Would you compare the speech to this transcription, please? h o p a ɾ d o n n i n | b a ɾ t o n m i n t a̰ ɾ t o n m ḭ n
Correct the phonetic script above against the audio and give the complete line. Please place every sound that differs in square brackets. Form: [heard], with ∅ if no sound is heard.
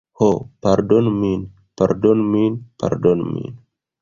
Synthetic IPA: h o p a ɾ d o n [m] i n | [p] a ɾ [d] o n m i n [p] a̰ ɾ [d] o n m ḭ n

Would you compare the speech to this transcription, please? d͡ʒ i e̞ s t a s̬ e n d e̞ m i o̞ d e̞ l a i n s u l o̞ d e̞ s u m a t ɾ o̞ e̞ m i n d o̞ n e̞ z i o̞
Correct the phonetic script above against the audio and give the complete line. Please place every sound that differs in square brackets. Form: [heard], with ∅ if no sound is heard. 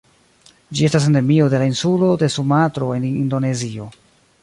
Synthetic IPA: d͡ʒ i e̞ s t a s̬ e n d e̞ m i o̞ d e̞ l a i n s u l o̞ d e̞ s u m a t ɾ o̞ e̞ [n] i n d o̞ n e̞ z i o̞

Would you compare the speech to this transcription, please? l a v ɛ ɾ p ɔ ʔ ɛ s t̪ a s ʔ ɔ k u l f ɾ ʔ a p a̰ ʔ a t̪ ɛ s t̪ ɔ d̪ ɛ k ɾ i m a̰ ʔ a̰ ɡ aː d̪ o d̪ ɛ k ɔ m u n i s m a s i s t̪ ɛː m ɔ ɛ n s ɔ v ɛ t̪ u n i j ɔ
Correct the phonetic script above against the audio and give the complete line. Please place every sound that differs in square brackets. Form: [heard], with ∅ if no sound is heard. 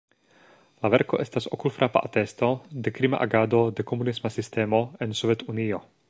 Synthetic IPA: l a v ɛ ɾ [k] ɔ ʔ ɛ s t̪ a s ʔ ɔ k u l f ɾ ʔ a p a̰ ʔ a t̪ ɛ s t̪ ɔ d̪ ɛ k ɾ i m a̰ ʔ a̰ ɡ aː d̪ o d̪ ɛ k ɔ m u n i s m a s i s t̪ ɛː m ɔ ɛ n s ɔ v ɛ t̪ u n i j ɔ

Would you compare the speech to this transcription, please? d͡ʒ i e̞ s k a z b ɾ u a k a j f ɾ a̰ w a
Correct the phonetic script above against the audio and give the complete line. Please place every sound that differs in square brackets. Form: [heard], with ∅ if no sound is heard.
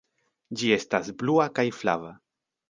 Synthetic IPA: d͡ʒ i e̞ s [t] a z b [l] u a k a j f [l] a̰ [v] a

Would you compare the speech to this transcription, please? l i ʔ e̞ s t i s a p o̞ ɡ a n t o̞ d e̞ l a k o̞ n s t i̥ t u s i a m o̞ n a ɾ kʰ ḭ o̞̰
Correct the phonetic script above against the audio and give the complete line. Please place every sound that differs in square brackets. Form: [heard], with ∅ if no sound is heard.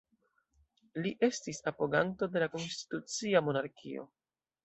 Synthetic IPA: l i ʔ e̞ s t i s a p o̞ ɡ a n t o̞ d e̞ l a k o̞ n s t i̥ t u [t͡s] i a m o̞ n a ɾ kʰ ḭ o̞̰

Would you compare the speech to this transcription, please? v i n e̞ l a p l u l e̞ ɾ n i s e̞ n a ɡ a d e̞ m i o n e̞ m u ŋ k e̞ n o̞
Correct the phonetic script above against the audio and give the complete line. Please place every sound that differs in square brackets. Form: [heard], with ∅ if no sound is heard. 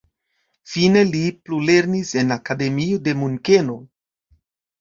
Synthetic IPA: [f] i n e̞ l [i] p l u l e̞ ɾ n i s e̞ n a [k] a d e̞ m i o [d] e̞ m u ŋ k e̞ n o̞

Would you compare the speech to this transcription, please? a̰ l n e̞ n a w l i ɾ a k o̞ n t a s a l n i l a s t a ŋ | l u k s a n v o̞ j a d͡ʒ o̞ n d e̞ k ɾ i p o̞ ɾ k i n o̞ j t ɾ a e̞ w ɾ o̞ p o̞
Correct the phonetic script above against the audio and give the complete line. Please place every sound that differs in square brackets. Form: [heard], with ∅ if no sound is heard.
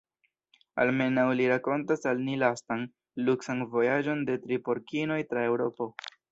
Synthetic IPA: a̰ l [m] e̞ n a w l i ɾ a k o̞ n t a s a l n i l a s t a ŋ | l u k s a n v o̞ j a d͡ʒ o̞ n d e̞ [t] ɾ i p o̞ ɾ k i n o̞ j t ɾ a e̞ w ɾ o̞ p o̞

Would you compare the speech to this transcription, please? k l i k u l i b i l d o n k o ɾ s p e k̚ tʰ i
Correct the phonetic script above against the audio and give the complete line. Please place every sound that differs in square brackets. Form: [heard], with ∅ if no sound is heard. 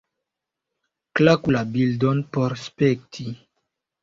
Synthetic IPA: k l [a] k u l [a] b i l d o n [p] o ɾ s p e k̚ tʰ i

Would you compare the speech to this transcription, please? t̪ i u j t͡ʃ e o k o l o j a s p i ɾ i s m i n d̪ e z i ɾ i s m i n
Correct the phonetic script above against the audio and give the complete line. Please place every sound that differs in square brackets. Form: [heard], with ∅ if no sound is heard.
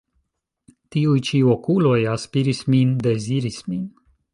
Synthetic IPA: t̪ i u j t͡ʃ [i] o k [u] l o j a s p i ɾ i s m i n d̪ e z i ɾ i s m i n

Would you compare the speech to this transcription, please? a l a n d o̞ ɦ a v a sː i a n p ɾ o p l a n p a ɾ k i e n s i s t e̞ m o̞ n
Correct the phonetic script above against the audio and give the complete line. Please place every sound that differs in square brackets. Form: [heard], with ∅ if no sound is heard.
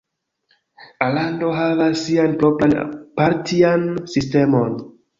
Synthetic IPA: a l a n d o̞ ɦ a v a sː i a n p ɾ o p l a n p a ɾ [t] i [a] n s i s t e̞ m o̞ n

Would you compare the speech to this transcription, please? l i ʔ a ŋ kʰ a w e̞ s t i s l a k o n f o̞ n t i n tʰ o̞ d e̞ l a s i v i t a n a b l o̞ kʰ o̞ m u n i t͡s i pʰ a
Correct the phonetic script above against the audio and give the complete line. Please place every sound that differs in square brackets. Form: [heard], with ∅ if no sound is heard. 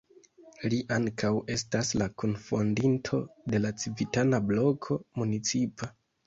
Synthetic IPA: l i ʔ a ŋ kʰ a w e̞ s t [a] s l a k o n f o̞ n [d] i n tʰ o̞ d e̞ l a [t͡s] i v i t a n a b l o̞ kʰ o̞ m u n i t͡s i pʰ a

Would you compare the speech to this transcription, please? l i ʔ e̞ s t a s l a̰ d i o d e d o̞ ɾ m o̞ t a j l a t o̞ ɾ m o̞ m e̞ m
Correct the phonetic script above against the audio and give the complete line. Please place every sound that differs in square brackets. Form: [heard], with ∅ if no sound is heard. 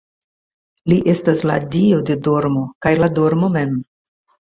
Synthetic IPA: l i ʔ e̞ s t a s l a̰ d i o d e d o̞ ɾ m o̞ [k] a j l a [d] o̞ ɾ m o̞ m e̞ m

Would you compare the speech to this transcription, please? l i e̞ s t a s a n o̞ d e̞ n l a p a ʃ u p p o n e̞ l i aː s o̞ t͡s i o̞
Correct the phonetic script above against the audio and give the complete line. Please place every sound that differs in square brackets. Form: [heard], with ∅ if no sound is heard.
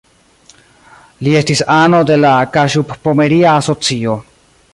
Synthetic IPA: l i e̞ s t [i] s a n o̞ d e̞ [∅] l a [k] a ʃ u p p o [m] e̞ [ɾ] i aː s o̞ t͡s i o̞

